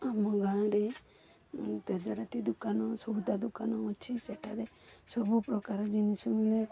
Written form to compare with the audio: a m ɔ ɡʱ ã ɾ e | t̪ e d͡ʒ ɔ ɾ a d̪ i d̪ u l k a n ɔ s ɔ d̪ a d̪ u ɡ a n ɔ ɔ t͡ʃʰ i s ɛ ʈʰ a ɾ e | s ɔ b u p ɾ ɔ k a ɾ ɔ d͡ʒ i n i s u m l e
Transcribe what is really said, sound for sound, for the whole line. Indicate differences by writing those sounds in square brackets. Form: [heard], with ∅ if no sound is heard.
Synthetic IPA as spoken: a m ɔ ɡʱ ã ɾ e | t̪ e d͡ʒ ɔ ɾ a [t̪] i d̪ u [∅] k a n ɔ s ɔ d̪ a d̪ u [k] a n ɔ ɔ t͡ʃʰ i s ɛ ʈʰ a ɾ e | s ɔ b u p ɾ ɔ k a ɾ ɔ d͡ʒ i n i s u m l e